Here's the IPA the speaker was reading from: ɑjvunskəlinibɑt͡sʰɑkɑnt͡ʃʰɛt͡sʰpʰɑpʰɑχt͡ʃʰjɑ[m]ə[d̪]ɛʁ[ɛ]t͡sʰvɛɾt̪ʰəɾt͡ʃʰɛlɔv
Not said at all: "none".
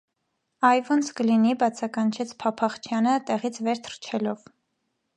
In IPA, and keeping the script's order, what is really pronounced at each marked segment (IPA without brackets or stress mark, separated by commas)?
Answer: n, t̪, i